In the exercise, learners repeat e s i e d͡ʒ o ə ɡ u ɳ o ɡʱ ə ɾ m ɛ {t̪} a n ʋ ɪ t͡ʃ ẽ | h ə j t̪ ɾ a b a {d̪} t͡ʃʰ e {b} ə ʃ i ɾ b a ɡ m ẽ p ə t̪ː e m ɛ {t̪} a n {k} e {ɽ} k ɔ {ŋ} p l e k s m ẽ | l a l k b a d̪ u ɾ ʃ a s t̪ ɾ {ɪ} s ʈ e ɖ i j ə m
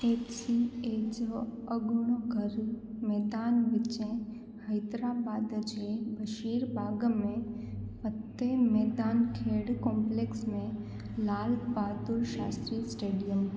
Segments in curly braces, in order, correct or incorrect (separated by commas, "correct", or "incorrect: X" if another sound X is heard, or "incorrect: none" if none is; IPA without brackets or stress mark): incorrect: d̪, correct, correct, incorrect: d̪, incorrect: kʰ, correct, incorrect: m, incorrect: i